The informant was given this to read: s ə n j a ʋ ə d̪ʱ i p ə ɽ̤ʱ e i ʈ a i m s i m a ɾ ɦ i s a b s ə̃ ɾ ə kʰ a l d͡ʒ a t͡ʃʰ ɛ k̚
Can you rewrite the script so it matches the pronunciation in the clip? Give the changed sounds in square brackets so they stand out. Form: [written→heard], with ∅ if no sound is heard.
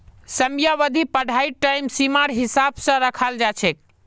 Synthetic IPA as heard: s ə [n→m] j a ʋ ə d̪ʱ i p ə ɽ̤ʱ [e→a] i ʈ a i m s i m a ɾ ɦ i s a b s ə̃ ɾ ə kʰ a l d͡ʒ a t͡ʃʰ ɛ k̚